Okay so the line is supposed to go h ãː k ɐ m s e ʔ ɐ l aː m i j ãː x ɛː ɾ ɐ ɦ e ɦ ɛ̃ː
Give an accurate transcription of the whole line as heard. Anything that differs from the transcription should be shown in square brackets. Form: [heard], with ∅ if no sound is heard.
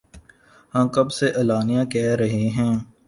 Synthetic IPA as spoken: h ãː k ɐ [b] s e ʔ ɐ l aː [n] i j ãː [k] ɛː ɾ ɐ ɦ e ɦ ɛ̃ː